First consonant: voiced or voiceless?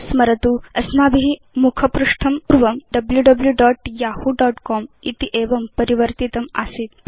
voiceless